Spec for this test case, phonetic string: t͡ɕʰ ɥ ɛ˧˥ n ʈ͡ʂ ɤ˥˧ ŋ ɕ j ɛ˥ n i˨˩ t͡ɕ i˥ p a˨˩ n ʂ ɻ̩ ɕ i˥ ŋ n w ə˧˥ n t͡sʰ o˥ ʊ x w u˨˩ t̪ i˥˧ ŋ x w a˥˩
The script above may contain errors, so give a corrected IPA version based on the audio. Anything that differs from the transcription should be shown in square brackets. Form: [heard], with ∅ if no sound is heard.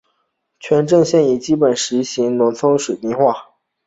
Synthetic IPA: t͡ɕʰ ɥ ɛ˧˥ n ʈ͡ʂ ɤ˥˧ ŋ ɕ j [ɛ˥˩] n i˨˩ t͡ɕ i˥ p [ə˨˩] n ʂ ɻ̩ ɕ [i˧˥] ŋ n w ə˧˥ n t͡sʰ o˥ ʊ [ʂ] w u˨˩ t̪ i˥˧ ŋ x w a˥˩